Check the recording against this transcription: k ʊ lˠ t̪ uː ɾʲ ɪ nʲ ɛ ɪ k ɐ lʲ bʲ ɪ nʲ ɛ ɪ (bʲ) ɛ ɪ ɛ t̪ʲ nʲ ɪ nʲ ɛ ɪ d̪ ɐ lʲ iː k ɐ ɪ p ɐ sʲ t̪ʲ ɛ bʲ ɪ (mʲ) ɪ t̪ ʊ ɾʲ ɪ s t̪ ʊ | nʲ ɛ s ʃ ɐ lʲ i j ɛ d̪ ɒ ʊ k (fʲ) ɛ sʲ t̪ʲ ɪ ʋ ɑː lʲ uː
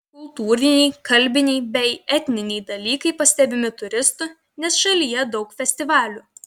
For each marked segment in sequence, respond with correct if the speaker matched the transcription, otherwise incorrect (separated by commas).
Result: correct, correct, correct